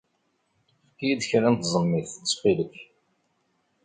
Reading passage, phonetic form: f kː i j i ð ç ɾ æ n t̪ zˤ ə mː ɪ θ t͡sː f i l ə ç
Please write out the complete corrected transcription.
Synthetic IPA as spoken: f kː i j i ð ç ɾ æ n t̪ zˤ ə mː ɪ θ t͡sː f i l ə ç